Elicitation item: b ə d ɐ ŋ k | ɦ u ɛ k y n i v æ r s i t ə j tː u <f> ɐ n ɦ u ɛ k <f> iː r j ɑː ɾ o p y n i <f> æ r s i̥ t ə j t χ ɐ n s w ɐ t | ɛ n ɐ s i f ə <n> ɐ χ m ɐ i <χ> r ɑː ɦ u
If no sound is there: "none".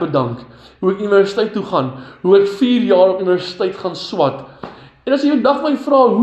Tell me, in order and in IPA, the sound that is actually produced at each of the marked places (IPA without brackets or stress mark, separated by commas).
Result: χ, f, v, d, f